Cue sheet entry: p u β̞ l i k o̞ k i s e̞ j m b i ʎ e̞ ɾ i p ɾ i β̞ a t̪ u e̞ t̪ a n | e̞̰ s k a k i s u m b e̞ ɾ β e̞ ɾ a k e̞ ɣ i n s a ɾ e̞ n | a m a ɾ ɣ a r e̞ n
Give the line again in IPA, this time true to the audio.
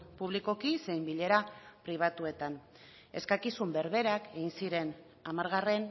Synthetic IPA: p u β̞ l i k o̞ k i s e̞ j m b i ʎ e̞ ɾ a p ɾ i β̞ a t̪ u e̞ t̪ a n | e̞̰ s k a k i s u m b e̞ ɾ β e̞ ɾ a k e̞ ɣ i n s i ɾ e̞ n | a m a ɾ ɣ a r e̞ n